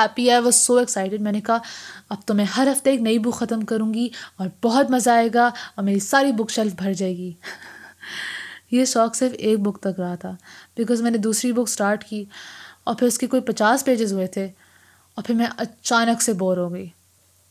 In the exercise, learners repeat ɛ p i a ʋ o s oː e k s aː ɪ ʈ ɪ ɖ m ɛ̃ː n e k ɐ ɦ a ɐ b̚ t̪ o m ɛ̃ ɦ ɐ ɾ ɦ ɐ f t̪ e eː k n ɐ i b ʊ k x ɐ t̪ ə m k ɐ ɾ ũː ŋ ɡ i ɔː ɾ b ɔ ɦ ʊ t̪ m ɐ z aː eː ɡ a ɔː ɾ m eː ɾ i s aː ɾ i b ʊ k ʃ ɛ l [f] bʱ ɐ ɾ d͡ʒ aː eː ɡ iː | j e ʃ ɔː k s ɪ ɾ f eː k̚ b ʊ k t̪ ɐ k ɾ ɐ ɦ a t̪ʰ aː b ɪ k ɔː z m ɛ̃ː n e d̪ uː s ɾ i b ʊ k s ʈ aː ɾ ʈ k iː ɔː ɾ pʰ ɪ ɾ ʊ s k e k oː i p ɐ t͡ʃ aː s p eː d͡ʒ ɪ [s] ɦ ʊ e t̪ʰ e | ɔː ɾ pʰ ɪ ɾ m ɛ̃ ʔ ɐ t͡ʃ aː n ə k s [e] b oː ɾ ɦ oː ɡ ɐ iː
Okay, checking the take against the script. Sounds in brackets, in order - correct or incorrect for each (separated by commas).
correct, incorrect, correct